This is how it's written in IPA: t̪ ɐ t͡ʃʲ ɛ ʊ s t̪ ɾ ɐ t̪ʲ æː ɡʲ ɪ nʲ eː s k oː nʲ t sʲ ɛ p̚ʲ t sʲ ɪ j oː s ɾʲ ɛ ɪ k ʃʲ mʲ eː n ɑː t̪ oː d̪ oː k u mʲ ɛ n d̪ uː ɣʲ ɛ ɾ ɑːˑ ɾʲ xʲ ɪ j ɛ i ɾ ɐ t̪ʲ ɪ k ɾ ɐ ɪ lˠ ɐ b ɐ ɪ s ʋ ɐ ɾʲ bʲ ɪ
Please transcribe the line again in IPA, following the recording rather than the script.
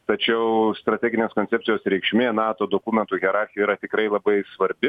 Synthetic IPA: t̪ ɐ t͡ʃʲ ɛ ʊ s t̪ ɾ ɐ t̪ʲ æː ɡʲ ɪ nʲ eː s k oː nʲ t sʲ ɛ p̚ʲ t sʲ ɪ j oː s ɾʲ ɛ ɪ k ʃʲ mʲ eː n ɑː t̪ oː d̪ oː k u mʲ ɛ n t̪ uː ɣʲ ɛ ɾ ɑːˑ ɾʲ xʲ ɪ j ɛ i ɾ ɐ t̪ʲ ɪ k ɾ ɐ ɪ lˠ ɐ b ɐ ɪ s ʋ ɐ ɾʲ bʲ ɪ